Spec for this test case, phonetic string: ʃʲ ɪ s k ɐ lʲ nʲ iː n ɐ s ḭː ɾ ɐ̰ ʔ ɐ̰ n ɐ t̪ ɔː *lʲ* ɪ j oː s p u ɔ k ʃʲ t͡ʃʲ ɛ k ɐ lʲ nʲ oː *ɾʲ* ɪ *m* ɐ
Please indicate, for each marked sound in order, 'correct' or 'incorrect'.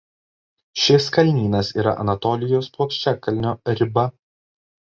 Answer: correct, correct, incorrect: b

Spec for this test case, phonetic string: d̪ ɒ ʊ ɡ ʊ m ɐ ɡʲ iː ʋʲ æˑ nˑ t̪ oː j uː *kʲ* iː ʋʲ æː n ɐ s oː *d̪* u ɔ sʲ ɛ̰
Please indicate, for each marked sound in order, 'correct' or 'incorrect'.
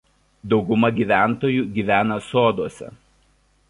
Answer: incorrect: ɡʲ, correct

